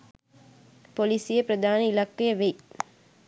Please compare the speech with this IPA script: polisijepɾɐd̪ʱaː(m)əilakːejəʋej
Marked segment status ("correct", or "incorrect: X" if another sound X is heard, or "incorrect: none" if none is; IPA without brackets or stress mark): incorrect: n